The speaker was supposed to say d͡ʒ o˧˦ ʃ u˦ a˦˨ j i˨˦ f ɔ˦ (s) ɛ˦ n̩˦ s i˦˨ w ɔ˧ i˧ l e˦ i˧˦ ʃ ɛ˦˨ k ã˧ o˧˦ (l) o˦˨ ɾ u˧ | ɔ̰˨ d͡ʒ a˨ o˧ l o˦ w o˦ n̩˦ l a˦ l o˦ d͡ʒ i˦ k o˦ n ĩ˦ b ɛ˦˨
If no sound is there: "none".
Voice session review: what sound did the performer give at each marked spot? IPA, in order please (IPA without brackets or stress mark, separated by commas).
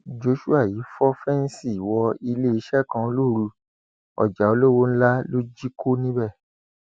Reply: f, l